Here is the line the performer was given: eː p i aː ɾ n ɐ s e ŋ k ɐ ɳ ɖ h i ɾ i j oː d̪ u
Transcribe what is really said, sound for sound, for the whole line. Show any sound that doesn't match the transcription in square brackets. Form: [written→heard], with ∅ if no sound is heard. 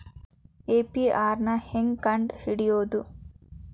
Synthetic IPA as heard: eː p i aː ɾ n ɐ [s→h] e ŋ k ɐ ɳ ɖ h i [ɾ→ɽ] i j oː d̪ u